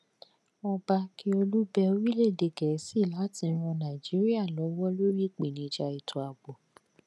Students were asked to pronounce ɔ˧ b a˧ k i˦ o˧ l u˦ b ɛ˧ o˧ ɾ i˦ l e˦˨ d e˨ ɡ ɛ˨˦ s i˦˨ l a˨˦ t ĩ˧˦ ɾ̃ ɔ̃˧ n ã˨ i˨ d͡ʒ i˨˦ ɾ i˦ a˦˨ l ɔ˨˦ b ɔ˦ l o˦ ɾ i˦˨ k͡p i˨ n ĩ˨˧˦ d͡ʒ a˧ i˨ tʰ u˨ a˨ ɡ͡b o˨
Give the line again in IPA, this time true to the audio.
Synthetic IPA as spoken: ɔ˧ b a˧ k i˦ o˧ l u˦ b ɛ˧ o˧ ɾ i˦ l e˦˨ d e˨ ɡ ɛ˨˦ s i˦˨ l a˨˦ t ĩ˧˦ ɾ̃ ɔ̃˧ n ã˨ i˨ d͡ʒ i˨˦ ɾ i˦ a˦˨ l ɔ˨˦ w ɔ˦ l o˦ ɾ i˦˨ k͡p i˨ n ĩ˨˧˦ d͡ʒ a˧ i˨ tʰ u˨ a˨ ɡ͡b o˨